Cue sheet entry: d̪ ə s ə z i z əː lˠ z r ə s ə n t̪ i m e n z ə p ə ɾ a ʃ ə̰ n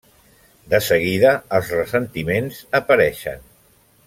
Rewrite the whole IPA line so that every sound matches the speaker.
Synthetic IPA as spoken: d̪ ə s ə ɣ i ð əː lˠ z r ə s ə n t̪ i m e n z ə p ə ɾ ɛ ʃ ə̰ n